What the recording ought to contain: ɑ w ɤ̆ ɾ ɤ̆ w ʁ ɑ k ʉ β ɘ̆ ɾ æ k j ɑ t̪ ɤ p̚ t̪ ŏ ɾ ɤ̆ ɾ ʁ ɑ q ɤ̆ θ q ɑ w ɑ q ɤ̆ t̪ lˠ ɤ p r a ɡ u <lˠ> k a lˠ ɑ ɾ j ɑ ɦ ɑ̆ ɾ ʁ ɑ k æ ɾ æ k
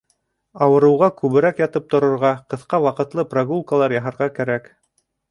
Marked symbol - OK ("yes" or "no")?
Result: yes